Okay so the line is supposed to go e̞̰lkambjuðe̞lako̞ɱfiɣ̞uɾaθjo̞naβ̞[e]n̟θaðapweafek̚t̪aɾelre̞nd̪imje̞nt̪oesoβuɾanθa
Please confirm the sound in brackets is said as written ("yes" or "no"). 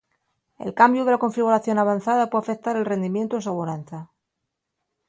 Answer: no